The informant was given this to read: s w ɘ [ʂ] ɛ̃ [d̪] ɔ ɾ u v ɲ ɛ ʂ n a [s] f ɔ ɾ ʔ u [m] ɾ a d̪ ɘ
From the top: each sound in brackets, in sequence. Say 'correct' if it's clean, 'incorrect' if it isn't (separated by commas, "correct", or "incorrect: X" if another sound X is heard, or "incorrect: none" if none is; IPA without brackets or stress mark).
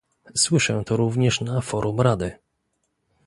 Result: correct, incorrect: t̪, incorrect: none, correct